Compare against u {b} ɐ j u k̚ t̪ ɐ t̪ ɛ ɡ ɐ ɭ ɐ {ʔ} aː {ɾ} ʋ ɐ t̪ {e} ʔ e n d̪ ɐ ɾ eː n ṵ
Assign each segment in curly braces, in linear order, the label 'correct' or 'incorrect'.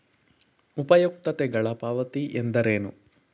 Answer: incorrect, incorrect, incorrect, incorrect

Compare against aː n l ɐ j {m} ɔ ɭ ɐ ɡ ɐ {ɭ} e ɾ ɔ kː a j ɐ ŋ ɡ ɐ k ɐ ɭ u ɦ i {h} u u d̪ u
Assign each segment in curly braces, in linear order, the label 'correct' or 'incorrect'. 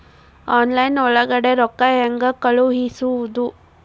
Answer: incorrect, incorrect, incorrect

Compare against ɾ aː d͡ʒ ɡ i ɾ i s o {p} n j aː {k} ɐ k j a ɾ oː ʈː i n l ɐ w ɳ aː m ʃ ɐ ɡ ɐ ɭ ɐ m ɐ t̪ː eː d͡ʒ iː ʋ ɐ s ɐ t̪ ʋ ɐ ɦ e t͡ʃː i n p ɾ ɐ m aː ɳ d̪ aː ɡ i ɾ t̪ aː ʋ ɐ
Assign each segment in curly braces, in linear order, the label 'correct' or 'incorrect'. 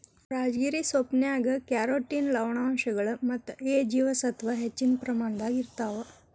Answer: correct, incorrect

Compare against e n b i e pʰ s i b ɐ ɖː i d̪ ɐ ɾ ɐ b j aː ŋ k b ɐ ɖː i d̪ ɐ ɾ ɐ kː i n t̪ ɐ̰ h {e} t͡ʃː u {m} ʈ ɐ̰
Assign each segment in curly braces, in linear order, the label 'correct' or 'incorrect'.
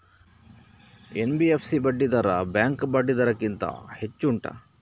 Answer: correct, incorrect

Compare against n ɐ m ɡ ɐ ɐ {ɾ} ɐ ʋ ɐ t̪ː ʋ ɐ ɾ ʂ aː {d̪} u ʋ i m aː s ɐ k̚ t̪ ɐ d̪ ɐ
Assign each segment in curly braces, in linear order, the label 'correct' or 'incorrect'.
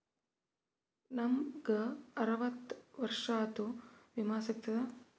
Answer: correct, incorrect

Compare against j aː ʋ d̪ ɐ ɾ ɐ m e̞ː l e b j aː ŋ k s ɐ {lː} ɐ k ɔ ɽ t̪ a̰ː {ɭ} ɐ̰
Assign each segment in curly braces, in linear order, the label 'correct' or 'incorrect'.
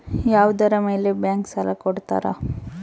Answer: incorrect, incorrect

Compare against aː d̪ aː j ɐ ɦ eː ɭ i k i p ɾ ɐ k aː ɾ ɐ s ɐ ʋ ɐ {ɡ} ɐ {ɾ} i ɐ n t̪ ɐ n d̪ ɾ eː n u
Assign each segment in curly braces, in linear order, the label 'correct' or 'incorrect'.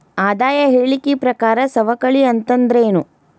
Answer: incorrect, incorrect

